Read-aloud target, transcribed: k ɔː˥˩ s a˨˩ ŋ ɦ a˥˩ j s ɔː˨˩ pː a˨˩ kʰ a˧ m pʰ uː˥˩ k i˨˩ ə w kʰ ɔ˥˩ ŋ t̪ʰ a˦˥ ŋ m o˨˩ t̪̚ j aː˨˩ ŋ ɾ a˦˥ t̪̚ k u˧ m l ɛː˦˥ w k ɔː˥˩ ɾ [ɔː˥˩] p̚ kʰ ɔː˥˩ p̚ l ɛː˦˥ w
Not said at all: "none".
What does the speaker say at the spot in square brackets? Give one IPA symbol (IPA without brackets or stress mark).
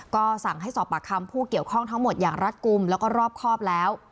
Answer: ɔː˥˩